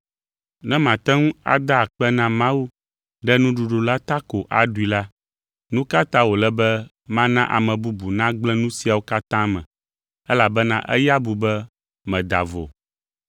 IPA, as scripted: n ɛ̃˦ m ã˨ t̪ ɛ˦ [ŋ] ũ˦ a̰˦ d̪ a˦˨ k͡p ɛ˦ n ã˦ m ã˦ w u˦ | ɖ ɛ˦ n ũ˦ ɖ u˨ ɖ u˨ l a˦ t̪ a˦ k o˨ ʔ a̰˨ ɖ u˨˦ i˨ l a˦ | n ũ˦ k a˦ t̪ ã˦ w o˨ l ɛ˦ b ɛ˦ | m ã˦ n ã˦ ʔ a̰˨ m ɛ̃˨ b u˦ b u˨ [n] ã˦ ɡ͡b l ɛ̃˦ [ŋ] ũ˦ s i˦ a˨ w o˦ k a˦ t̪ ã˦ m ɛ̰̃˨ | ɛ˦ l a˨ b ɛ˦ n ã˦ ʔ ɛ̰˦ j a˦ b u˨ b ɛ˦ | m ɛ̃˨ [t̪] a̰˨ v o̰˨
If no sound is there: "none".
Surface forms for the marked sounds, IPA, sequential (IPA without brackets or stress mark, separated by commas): ŋ, n, n, d̪